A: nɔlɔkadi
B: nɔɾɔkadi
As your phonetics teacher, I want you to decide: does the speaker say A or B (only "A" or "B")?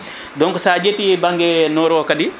B